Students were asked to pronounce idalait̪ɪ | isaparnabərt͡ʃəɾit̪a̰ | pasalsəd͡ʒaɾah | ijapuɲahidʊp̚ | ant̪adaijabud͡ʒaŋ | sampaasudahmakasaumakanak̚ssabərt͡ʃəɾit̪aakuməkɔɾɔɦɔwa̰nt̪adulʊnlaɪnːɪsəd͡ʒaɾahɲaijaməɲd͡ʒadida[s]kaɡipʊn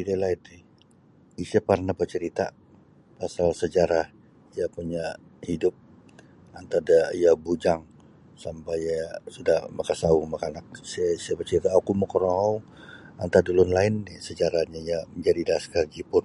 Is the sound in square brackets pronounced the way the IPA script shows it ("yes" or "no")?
yes